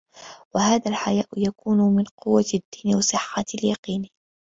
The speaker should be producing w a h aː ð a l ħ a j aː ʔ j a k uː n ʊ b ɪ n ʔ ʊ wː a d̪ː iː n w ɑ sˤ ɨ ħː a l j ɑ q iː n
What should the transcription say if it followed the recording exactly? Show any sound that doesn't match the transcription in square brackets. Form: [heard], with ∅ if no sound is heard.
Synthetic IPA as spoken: w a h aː ð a l ħ a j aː ʔ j a k uː n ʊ [m] ɪ n [q] ʊ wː a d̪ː iː n w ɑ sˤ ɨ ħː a l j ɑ q iː n